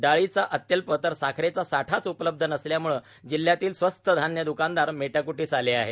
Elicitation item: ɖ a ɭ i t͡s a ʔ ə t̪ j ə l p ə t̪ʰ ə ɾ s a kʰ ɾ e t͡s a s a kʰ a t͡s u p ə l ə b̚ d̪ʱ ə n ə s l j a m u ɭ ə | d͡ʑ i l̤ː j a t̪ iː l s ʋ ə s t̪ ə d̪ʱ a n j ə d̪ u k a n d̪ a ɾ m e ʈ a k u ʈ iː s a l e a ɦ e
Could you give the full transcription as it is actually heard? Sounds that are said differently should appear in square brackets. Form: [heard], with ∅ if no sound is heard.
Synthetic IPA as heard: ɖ a ɭ i t͡s a ʔ ə t̪ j ə l p ə [t̪] ə ɾ s a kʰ ɾ e t͡s a s a [ʈʰ] a t͡s u p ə l ə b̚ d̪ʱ ə n ə s l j a m u ɭ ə | d͡ʑ i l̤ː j a t̪ iː l s ʋ ə s t̪ ə d̪ʱ a n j ə d̪ u k a n d̪ a ɾ m e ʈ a k u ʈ iː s a l e a ɦ e